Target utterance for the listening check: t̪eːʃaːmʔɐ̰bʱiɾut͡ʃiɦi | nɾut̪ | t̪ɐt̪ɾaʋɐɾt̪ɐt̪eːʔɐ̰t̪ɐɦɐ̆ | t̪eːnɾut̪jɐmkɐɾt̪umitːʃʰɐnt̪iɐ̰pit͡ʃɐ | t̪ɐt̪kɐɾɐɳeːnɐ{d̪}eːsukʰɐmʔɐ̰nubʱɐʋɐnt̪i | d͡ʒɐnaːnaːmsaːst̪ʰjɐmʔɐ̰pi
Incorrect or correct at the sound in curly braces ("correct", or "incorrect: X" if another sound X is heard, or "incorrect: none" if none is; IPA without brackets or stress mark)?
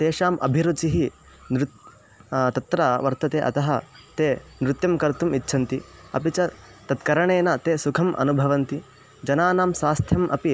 incorrect: t̪